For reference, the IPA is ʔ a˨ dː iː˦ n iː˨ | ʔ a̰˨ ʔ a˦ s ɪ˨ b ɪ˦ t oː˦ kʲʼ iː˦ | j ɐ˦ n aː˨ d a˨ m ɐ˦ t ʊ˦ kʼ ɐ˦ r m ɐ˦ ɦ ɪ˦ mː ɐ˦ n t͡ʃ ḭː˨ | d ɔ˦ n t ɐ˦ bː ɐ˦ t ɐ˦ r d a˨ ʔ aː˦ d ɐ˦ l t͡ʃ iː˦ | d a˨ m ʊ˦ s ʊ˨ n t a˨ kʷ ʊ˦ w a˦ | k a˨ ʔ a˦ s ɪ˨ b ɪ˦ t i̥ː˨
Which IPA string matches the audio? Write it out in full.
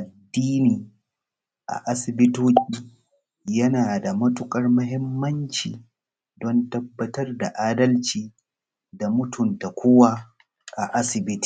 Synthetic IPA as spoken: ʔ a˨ dː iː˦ n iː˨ | ʔ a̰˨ ʔ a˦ s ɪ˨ b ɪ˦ t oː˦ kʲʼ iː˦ | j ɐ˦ n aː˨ d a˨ m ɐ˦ t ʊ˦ kʼ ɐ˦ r m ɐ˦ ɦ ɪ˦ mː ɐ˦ n t͡ʃ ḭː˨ | d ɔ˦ n t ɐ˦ bː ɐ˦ t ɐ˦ r d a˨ ʔ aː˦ d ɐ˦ l t͡ʃ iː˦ | d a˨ m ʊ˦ t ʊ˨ n t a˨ kʷ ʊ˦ w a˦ | ʔ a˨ ʔ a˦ s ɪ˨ b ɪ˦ t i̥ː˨

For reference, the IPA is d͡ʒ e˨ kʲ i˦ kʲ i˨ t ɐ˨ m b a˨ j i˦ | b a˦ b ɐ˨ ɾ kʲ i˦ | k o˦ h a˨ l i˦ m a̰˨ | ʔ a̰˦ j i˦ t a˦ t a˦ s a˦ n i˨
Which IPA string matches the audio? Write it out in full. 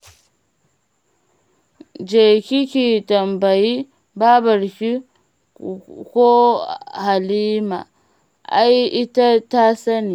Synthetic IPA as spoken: d͡ʒ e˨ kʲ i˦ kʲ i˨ t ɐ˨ m b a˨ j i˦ | b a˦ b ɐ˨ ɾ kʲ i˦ | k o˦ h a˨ l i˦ m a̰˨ | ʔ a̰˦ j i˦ t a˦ t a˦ s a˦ n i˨

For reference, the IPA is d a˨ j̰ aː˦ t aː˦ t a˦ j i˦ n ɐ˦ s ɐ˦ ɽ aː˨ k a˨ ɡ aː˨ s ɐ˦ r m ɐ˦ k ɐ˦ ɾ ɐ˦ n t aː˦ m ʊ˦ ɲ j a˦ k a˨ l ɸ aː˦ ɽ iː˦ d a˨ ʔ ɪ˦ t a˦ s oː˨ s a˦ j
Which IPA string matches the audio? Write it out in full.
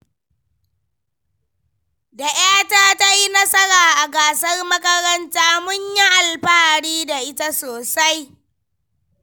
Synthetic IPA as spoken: d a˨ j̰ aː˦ t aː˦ t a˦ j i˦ n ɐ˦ s ɐ˦ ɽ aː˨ ʔ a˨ ɡ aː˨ s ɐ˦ r m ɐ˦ k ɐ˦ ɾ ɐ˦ n t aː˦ m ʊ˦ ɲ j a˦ ʔ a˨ l ɸ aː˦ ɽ iː˦ d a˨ ʔ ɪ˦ t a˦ s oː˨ s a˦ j

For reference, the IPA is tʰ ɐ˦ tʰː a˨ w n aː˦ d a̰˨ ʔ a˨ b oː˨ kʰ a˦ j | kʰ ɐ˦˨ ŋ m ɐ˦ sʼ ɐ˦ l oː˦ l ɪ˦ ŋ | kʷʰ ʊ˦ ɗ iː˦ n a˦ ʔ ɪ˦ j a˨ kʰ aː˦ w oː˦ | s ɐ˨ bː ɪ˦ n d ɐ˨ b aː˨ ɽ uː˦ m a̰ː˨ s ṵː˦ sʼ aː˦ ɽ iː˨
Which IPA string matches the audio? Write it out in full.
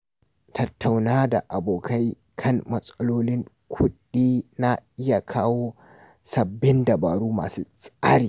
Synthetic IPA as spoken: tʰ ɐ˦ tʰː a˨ w n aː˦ d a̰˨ ʔ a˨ b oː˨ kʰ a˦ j | kʰ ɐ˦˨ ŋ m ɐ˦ sʼ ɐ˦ l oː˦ l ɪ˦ ŋ | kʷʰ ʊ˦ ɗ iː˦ n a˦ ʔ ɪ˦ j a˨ kʰ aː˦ w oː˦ | s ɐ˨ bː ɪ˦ n d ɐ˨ b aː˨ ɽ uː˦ m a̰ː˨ s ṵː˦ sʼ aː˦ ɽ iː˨

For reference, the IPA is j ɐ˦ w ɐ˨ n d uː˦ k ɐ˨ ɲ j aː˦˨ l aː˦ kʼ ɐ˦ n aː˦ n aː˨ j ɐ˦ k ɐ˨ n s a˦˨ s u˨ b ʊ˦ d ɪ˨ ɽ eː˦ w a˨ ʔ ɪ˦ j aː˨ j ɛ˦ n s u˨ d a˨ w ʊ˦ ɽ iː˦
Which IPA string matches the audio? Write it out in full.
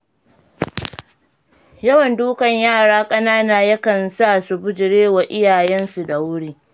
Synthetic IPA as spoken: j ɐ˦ w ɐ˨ n d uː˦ k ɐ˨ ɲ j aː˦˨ ɽ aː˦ kʼ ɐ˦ n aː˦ n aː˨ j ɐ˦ k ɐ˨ n s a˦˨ s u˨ b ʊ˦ d͡ʒ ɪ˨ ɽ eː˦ w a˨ ʔ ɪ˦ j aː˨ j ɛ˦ n s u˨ d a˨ w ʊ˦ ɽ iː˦

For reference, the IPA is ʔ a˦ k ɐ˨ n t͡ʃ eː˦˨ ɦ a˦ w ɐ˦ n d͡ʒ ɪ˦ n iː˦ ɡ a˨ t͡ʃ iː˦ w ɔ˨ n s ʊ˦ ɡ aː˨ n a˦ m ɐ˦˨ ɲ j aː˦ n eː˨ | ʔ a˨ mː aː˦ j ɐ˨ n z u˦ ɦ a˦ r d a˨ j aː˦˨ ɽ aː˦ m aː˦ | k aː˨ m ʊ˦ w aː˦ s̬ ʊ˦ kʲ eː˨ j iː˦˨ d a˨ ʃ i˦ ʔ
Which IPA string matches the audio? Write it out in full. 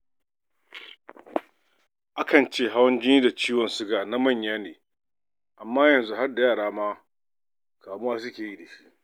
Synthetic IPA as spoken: ʔ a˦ k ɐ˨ n t͡ʃ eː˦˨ ɦ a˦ w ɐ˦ n d͡ʒ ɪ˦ n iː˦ d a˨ t͡ʃ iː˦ w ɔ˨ n s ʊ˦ ɡ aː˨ n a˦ m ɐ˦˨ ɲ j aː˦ n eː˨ | ʔ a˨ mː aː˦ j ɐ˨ n z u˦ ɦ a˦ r d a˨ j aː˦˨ ɽ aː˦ m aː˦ | k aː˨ m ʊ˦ w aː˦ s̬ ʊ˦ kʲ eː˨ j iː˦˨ d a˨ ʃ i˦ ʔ

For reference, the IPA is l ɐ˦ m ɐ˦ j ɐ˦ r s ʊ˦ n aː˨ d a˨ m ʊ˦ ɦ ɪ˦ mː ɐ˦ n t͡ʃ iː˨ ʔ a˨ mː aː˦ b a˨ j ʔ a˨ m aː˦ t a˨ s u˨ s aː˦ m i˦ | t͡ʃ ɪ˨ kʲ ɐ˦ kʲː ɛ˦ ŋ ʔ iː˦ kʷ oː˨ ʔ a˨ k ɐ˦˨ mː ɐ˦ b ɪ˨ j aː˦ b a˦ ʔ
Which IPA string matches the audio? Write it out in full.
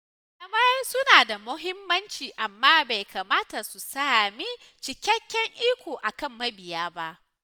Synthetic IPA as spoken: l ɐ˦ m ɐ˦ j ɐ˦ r s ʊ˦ n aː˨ d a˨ m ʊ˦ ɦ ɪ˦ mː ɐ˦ n t͡ʃ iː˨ ʔ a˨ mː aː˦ b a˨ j k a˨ m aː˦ t a˨ s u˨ s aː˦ m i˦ | t͡ʃ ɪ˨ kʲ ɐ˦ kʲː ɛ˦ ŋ ʔ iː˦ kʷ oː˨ ʔ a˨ k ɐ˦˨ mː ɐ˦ b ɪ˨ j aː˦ b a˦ ʔ

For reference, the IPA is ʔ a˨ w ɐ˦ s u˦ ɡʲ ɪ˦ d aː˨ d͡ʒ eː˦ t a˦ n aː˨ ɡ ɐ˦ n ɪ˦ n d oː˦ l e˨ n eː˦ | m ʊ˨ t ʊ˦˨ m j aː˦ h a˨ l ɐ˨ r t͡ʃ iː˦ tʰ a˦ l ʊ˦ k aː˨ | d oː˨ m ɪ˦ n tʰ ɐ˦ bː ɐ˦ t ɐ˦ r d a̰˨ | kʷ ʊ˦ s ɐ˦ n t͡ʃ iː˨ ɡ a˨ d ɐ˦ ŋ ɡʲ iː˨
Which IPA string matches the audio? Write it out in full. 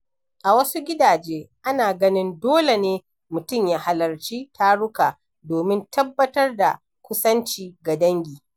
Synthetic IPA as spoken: ʔ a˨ w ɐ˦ s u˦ ɡʲ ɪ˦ d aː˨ d͡ʒ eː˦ ʔ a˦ n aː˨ ɡ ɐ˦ n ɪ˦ n d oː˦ l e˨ n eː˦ | m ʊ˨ t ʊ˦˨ m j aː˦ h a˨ l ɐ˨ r t͡ʃ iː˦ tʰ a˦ ɽ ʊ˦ k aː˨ | d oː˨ m ɪ˦ n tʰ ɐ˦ bː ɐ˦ t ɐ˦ r d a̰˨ | kʷ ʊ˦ s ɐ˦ n t͡ʃ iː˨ ɡ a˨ d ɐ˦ ŋ ɡʲ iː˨

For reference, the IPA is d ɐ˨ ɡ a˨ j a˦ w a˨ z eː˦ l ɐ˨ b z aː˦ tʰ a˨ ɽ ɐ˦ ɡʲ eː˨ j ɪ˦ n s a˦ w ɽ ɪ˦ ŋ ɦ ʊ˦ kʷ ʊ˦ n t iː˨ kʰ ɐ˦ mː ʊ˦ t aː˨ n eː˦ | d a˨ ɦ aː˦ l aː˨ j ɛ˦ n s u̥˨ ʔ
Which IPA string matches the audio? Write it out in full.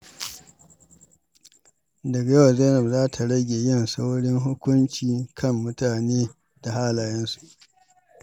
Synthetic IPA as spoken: d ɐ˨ ɡ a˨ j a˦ w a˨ z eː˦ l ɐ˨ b z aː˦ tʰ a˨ ɽ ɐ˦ ɡʲ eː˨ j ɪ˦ n s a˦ w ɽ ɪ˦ ŋ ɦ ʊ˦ kʷ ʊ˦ n t͡ʃ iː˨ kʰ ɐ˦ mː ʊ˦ t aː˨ n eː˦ | d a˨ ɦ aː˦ l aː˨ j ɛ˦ n s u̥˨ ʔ

